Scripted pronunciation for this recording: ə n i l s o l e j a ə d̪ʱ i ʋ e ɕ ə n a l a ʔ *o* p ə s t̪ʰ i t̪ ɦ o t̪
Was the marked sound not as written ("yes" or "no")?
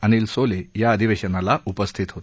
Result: yes